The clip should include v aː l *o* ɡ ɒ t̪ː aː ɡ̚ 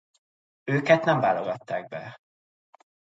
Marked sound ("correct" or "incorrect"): correct